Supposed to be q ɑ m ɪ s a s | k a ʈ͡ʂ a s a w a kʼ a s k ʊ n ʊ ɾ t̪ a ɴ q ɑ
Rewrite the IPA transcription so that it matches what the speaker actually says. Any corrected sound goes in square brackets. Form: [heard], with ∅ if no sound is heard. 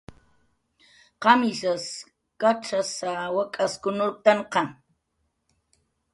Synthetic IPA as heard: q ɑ m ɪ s a s | k a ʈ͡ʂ a s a w a kʼ a s k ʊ n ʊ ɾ t̪ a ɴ q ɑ